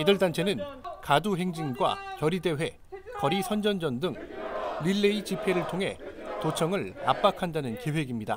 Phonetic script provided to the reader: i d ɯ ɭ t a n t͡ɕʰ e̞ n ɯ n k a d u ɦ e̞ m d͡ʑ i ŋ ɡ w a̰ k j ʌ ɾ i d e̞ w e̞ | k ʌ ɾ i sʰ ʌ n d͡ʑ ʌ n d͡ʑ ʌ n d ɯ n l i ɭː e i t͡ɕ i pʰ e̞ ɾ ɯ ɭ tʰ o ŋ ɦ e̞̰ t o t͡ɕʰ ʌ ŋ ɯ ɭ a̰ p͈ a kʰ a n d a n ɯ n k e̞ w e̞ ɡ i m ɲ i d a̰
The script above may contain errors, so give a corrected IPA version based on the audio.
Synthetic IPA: i d ɯ ɭ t a n t͡ɕʰ e̞ n ɯ n k a d u ɦ e̞ ŋ d͡ʑ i ŋ ɡ w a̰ k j ʌ ɾ i d e̞ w e̞ | k ʌ ɾ i sʰ ʌ n d͡ʑ ʌ n d͡ʑ ʌ n d ɯ ŋ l i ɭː e i t͡ɕ i pʰ e̞ ɾ ɯ ɭ tʰ o ŋ ɦ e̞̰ t o t͡ɕʰ ʌ ŋ ɯ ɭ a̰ p͈ a kʰ a n d a n ɯ n k e̞ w e̞ ɡ i m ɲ i d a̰